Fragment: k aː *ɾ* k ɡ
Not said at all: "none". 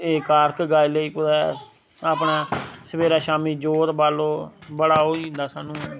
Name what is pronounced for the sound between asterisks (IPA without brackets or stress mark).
ɾ